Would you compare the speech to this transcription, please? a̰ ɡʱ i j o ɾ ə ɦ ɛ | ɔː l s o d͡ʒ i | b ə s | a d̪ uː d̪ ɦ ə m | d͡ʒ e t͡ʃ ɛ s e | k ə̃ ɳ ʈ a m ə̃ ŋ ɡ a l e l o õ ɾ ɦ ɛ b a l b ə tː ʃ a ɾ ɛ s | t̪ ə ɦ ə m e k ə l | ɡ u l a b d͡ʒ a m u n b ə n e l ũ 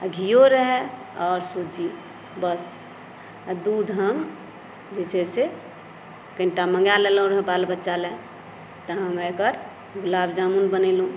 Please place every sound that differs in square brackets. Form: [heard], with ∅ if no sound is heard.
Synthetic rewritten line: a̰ ɡʱ i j o ɾ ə ɦ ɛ | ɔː [ɾ] s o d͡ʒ i | b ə s | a d̪ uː d̪ ɦ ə m | d͡ʒ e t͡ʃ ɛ s e | k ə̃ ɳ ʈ a m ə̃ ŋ ɡ a l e l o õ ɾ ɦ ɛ b a l b ə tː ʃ a [l] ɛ [∅] | t̪ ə ɦ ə m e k ə [ɾ] | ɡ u l a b d͡ʒ a m u n b ə n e l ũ